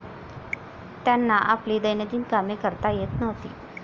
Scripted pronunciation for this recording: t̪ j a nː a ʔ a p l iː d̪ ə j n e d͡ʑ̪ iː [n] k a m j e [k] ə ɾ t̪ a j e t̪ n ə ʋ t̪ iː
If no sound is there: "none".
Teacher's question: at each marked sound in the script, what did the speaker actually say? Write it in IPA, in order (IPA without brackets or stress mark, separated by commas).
n, k